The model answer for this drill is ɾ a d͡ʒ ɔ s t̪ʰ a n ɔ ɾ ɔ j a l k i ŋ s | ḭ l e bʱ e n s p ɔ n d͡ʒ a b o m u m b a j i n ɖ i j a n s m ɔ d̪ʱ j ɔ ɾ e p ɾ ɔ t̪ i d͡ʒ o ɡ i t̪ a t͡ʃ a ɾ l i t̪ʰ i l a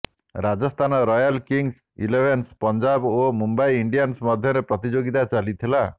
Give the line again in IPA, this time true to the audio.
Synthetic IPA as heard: ɾ a d͡ʒ ɔ s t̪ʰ a n ɔ ɾ ɔ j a l k i ŋ s | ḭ l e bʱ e n s p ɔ n d͡ʒ a b o m u m b a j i ɳ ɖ i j a n s m ɔ d̪ʱ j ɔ ɾ e p ɾ ɔ t̪ i d͡ʒ o ɡ i t̪ a t͡ʃ a l i t̪ʰ i l a